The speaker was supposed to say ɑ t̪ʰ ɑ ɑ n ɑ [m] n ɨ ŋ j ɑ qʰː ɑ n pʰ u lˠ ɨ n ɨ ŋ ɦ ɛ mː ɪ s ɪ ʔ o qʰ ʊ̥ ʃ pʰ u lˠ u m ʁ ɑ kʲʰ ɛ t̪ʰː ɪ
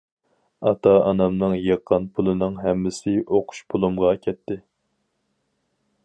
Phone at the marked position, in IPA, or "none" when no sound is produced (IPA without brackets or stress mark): m